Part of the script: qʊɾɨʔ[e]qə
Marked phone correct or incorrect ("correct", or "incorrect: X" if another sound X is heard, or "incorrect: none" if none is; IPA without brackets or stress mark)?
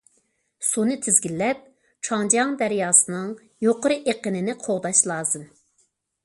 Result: correct